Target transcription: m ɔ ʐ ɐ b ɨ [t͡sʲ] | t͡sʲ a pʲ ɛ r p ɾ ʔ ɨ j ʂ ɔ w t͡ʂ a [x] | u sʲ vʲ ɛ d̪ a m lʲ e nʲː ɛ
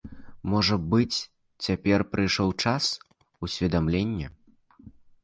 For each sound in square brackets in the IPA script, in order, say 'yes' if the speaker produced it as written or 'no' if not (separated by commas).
yes, no